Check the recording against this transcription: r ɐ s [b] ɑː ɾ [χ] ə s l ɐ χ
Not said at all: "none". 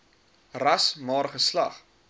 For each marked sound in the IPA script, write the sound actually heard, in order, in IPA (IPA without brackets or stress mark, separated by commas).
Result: m, χ